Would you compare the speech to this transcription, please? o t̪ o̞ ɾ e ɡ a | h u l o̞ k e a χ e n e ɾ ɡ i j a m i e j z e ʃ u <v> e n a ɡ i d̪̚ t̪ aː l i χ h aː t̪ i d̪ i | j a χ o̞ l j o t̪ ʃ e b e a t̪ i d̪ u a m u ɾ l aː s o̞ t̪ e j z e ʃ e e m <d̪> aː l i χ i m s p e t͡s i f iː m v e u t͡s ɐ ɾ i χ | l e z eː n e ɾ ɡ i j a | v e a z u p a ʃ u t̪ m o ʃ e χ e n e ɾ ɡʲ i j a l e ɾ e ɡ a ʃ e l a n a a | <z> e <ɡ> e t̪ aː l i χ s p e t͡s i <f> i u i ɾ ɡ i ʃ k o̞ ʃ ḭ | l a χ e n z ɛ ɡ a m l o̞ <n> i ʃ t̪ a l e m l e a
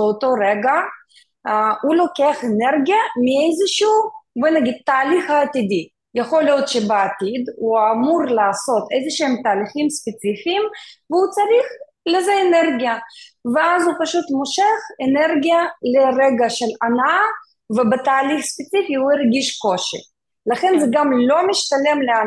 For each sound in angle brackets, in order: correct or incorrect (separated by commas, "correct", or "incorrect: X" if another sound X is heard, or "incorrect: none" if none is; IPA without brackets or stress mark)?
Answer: correct, incorrect: t̪, incorrect: v, incorrect: b, correct, incorrect: m